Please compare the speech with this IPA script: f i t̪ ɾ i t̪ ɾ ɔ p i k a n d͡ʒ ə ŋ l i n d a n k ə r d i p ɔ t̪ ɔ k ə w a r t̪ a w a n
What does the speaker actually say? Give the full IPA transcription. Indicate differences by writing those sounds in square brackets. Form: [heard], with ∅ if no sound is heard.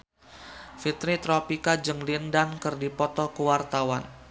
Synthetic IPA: f i t̪ ɾ i t̪ ɾ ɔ p i k a [∅] d͡ʒ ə ŋ l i n d a n k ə r d i p ɔ t̪ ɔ k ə w a r t̪ a w a n